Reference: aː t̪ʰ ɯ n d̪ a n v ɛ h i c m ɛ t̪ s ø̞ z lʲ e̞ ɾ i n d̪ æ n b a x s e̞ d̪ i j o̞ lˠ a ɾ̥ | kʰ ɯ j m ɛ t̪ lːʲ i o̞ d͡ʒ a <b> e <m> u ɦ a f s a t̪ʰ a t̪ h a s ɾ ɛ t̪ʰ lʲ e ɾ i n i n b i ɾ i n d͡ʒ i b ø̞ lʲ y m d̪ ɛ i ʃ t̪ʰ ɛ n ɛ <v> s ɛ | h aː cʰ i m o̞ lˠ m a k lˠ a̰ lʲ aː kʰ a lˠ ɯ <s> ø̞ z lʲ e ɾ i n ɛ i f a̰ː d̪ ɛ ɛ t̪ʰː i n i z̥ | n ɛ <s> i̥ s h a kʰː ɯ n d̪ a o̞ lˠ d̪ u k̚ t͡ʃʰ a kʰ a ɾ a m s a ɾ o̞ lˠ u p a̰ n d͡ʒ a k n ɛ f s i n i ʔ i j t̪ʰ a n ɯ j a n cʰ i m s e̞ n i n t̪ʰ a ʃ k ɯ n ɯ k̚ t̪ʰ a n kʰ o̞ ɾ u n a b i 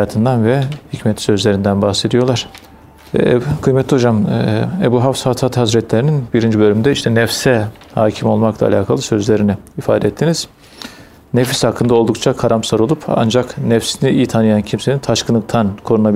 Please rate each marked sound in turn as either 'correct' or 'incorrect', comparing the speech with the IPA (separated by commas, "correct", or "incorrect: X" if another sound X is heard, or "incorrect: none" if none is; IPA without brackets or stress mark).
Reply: incorrect: m, incorrect: b, incorrect: f, correct, incorrect: f